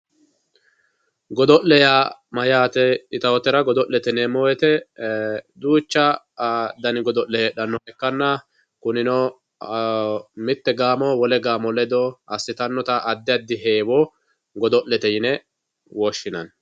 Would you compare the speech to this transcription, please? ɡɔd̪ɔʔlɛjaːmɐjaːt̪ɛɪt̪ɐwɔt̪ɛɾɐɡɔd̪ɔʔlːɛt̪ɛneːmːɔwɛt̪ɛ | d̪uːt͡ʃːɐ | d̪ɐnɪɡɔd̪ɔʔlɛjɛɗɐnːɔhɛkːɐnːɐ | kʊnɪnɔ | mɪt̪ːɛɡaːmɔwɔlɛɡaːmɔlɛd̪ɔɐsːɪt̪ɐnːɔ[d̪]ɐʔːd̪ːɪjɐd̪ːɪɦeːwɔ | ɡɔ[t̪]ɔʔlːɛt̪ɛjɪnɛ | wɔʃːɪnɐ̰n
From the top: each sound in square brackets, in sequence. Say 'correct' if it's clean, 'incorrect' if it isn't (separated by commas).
incorrect, incorrect